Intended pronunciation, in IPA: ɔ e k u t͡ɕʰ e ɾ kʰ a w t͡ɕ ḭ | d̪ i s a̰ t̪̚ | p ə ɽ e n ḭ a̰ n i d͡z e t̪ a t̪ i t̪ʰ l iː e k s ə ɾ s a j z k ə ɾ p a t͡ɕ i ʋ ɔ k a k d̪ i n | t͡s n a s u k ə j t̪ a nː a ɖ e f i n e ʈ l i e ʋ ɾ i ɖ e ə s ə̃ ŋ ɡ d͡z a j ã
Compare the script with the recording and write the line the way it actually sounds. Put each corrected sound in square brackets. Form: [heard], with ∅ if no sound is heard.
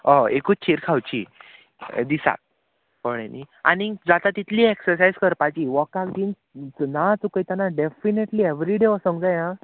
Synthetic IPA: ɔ e k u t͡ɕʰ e ɾ kʰ a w t͡ɕ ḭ | d̪ i s a̰ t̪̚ | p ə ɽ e n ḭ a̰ n i d͡z [a] t̪ a t̪ i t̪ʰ l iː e k s ə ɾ s a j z k ə ɾ p a t͡ɕ i ʋ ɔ k a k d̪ i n | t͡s n a [t͡s] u k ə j t̪ a [n] a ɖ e f i n e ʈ l i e ʋ ɾ i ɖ e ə s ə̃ ŋ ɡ d͡z a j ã